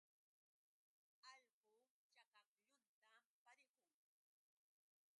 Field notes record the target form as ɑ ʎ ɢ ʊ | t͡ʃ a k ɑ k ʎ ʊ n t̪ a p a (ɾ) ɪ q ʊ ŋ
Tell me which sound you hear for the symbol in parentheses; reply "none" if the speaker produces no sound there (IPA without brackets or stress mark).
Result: ɾ